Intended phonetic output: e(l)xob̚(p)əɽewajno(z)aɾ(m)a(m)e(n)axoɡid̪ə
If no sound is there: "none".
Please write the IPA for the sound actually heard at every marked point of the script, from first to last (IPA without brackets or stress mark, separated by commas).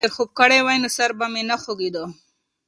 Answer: ɾ, k, s, b, m, n